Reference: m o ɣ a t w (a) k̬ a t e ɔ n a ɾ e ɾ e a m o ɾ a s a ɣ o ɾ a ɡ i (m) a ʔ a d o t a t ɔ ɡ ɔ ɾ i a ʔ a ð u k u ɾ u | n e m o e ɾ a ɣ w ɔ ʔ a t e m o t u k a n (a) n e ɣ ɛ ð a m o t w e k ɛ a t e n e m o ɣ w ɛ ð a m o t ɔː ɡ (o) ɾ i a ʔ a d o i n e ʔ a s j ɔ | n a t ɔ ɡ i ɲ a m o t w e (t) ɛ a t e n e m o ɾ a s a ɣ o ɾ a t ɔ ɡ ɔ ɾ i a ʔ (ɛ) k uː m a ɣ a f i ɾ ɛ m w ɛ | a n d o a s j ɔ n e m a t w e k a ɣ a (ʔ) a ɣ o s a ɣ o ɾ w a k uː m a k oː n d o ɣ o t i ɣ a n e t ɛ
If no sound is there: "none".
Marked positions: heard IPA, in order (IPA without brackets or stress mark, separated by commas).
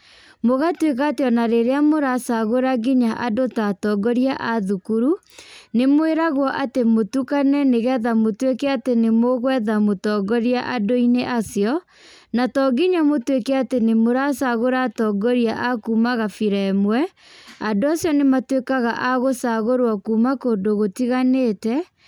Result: e, ɲ, ɛ, ɔ, k, a, ʔ